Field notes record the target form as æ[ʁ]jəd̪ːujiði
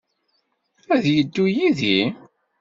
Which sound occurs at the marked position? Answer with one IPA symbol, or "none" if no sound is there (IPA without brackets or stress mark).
ð